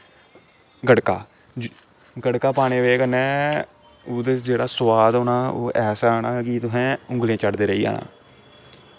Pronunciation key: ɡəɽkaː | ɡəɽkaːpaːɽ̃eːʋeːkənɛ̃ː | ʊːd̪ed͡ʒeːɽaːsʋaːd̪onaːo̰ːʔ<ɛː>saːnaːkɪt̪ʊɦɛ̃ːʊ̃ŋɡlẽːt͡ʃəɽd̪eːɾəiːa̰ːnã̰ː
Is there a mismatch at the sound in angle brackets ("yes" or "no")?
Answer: no